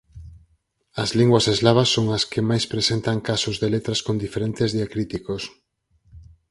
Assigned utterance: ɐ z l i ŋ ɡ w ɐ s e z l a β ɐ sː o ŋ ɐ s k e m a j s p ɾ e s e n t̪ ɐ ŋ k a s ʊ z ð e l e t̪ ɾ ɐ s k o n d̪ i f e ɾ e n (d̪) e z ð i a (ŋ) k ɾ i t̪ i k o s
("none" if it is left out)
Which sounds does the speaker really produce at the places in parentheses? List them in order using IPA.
t̪, none

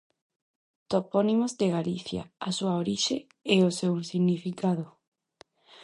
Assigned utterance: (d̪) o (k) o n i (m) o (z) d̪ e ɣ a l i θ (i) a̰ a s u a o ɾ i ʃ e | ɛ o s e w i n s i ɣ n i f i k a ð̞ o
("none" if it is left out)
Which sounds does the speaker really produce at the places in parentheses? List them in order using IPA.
t̪, p, m, z, j

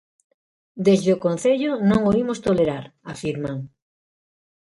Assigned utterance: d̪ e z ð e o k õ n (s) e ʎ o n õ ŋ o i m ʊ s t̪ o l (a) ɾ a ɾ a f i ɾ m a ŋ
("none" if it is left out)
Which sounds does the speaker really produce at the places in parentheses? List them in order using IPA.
θ, e

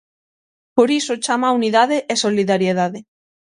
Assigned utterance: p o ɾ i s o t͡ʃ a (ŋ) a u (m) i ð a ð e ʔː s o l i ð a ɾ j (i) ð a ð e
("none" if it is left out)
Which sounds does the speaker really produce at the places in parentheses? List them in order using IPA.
m, n, e

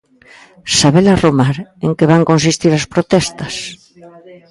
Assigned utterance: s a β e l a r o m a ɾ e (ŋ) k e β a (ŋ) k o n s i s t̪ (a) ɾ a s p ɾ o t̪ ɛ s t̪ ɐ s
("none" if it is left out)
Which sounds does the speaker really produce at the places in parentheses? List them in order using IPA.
ŋ, ŋ, i

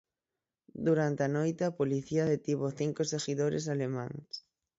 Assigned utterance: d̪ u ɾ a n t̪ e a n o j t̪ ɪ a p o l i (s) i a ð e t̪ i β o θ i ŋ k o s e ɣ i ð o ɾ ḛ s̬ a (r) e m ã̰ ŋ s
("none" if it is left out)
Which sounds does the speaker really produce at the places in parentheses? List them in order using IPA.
θ, l

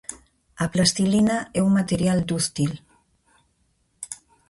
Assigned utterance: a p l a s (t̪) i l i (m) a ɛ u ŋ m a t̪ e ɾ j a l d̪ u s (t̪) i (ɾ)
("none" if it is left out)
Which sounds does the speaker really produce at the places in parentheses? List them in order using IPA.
t̪, n, t̪, l

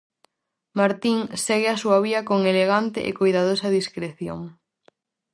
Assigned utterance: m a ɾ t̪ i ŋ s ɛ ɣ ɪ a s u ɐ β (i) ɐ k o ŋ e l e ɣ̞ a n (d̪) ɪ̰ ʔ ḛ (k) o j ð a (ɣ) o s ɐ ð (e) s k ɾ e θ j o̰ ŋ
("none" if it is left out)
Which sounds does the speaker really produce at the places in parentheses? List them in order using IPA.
i, t̪, k, ð, i

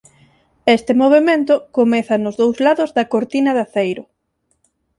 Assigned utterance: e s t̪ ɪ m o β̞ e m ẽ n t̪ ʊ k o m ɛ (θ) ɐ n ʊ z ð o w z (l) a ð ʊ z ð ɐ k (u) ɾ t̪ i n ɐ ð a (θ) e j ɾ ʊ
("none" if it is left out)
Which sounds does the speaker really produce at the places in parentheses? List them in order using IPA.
θ, l, o, θ

